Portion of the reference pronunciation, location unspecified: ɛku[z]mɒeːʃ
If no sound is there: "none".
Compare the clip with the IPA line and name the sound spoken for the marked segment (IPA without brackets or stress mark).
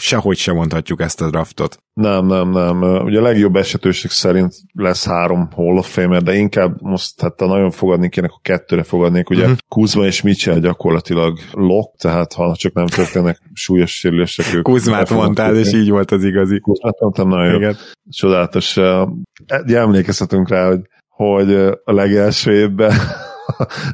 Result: z